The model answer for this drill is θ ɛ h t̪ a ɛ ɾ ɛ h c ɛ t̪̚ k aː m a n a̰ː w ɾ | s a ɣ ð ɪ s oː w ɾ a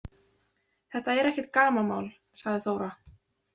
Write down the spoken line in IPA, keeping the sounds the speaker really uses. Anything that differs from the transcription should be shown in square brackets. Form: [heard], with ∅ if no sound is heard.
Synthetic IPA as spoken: θ ɛ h t̪ a ɛ ɾ ɛ h c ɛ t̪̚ k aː m a [m] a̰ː w [l] | s a ɣ ð ɪ [θ] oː w ɾ a